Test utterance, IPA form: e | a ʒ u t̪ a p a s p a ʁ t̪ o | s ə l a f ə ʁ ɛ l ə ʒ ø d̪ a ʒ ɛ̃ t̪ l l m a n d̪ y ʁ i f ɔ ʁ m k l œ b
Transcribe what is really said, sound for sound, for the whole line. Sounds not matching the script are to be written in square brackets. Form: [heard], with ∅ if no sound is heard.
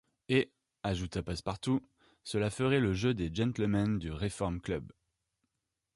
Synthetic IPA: e | a ʒ u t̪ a p a s p a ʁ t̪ [u] | s ə l a f ə ʁ ɛ l ə ʒ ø d̪ [e] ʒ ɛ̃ t̪ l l m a n d̪ y ʁ [e] f ɔ ʁ m k l œ b